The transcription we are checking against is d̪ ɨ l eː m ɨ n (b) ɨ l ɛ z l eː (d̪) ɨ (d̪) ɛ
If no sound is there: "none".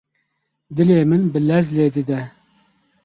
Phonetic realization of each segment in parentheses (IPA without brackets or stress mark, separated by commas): b, d̪, d̪